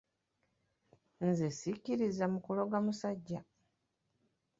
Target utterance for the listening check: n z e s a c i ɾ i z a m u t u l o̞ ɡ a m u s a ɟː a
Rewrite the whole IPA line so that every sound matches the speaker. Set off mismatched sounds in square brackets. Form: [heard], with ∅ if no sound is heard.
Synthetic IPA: n z e s [i] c i ɾ i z a m u [k] u l o̞ ɡ a m u s a ɟː a